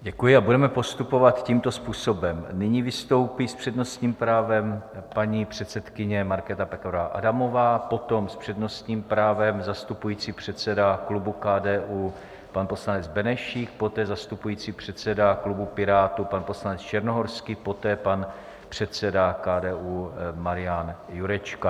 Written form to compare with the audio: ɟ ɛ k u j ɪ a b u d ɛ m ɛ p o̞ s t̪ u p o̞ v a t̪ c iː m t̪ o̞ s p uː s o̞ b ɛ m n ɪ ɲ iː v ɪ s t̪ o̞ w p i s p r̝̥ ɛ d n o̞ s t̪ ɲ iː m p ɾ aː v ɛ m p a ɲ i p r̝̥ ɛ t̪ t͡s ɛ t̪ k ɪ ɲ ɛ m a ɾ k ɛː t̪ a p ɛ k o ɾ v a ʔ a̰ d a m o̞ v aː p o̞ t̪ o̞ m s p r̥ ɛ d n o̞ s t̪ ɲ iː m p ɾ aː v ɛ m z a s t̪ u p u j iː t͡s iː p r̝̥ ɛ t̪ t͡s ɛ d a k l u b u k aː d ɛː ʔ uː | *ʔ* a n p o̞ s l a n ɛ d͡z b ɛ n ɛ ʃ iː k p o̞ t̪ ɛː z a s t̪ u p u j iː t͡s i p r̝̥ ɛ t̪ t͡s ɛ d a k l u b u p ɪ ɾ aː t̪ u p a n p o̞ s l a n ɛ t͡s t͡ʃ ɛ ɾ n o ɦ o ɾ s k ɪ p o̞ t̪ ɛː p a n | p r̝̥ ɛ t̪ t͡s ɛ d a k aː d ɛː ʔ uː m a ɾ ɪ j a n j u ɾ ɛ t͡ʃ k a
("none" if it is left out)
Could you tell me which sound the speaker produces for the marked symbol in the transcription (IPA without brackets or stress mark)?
p